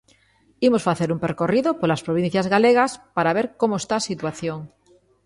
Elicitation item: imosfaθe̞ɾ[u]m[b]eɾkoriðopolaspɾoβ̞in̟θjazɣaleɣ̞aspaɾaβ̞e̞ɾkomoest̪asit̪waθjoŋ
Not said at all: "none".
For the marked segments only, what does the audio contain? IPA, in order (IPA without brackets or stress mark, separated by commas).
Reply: u, p